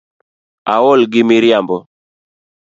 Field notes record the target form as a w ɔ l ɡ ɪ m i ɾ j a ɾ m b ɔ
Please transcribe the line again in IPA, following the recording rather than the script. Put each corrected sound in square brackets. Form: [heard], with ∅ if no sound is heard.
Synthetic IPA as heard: a w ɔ l ɡ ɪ m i ɾ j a [∅] m b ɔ